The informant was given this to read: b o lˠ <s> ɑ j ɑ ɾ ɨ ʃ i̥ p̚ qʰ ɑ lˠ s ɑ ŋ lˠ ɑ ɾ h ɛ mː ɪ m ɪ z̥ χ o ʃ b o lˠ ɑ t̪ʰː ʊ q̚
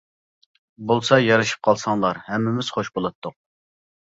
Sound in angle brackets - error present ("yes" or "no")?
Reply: no